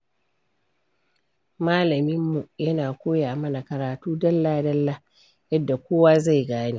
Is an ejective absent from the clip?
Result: yes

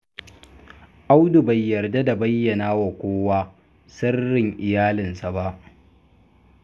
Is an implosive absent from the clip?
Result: yes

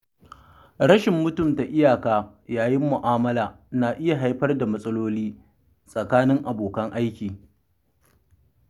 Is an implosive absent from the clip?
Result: yes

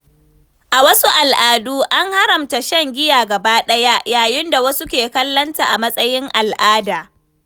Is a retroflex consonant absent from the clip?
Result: yes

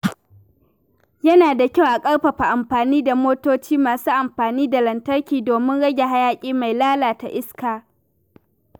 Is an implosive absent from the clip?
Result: yes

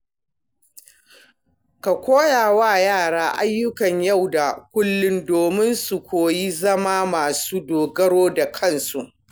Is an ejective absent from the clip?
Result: yes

